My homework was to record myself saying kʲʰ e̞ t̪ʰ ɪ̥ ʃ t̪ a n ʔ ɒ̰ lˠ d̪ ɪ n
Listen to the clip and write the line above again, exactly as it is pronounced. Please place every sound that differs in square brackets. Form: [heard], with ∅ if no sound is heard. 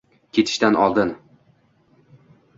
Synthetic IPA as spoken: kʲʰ e̞ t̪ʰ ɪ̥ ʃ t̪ a n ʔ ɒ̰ lˠ d̪ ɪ n